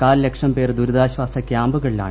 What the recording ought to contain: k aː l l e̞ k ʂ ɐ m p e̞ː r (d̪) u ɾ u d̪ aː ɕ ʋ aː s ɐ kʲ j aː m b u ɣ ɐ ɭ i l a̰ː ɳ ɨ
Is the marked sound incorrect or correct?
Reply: correct